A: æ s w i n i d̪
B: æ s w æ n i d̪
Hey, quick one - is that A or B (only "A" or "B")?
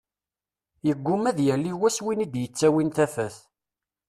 A